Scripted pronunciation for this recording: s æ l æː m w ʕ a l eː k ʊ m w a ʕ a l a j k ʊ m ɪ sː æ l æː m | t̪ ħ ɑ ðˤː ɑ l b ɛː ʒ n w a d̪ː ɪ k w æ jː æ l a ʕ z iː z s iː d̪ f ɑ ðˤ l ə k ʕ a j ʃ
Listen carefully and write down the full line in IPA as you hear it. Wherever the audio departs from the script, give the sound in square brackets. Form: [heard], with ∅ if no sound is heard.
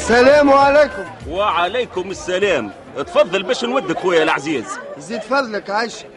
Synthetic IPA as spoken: s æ l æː m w ʕ a l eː k ʊ m w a ʕ a l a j k ʊ m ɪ sː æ l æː m | t̪ [f] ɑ ðˤː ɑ l b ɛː [ʃ] n w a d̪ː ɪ k w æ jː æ l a ʕ z iː z [z] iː d̪ f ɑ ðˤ l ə k ʕ a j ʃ